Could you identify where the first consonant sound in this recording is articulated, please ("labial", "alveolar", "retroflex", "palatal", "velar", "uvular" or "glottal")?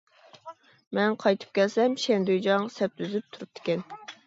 labial